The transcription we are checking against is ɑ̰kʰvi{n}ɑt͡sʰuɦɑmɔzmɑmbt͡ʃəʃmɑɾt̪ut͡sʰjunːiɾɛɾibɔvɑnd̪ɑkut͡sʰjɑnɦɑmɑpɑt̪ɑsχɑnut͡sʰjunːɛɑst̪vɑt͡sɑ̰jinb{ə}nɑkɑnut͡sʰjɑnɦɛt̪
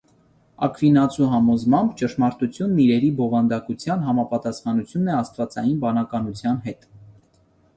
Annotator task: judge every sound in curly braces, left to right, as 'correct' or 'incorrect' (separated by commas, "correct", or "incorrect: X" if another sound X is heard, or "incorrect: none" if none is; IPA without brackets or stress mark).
correct, incorrect: ɑ